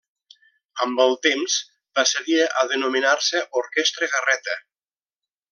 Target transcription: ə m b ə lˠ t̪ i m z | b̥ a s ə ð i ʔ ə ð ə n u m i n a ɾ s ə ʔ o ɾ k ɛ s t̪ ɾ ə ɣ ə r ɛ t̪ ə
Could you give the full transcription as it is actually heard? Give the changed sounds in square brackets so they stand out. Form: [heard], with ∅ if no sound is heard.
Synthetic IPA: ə m b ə lˠ t̪ [e] m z | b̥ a s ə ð i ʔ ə ð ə n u m i n a ɾ s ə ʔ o ɾ k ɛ s t̪ ɾ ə ɣ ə r ɛ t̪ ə